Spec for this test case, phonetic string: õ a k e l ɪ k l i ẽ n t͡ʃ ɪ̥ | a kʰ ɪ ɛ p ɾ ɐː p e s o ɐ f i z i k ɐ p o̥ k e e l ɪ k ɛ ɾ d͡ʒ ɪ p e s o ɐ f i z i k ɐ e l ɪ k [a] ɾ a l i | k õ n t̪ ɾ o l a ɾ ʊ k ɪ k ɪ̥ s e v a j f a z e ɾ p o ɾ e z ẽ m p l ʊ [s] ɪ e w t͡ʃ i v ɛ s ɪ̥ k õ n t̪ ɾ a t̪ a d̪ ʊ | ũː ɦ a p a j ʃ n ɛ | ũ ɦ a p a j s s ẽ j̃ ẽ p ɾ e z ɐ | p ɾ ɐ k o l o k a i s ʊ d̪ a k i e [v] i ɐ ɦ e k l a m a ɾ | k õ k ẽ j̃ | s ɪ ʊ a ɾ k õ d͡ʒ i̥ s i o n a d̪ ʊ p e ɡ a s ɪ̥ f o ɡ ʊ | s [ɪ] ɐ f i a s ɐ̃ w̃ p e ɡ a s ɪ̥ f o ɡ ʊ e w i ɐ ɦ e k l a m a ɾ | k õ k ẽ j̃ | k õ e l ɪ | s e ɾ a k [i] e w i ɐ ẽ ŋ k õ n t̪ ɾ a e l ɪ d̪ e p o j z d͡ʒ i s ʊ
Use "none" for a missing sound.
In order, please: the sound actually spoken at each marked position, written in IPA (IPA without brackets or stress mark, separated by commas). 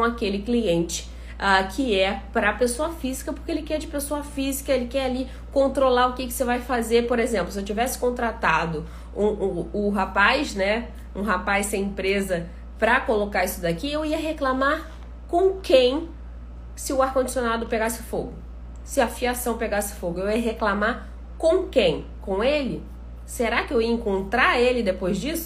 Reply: ɛ, s, w, ɪ, ɪ